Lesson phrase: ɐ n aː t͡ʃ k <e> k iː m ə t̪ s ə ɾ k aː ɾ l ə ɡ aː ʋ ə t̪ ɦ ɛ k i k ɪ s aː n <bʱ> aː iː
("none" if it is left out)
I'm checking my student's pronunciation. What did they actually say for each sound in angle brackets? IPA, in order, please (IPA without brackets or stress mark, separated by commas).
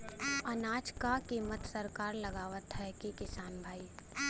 a, bʱ